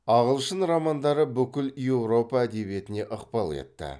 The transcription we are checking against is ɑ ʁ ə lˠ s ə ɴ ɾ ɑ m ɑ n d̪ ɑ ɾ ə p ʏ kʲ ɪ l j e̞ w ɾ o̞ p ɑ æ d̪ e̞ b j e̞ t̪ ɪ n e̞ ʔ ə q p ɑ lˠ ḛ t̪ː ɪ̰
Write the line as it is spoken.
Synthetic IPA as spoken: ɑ ʁ ə lˠ ʃ ə n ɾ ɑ m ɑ n d̪ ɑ ɾ ə b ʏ kʲ ɪ l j e̞ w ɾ o̞ p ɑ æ d̪ e̞ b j e̞ t̪ ɪ n e̞ ʔ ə q p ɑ lˠ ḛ t̪ː ɪ̰